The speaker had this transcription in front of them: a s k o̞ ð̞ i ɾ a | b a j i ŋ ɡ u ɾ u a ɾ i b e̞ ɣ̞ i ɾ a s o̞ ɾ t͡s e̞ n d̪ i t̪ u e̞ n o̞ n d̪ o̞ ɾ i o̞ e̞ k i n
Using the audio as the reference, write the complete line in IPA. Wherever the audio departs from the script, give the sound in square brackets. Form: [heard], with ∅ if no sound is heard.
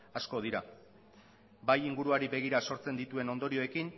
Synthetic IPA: a s k o̞ ð̞ i ɾ a | b a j i ŋ ɡ u ɾ u a ɾ i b e̞ ɣ̞ i ɾ a s o̞ ɾ t͡s e̞ n d̪ i t̪ u e̞ n o̞ n d̪ o̞ ɾ i o̞ e̞ k i n